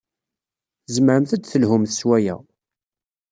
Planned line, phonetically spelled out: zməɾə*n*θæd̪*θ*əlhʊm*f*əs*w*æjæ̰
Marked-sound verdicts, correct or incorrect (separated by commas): incorrect, correct, incorrect, correct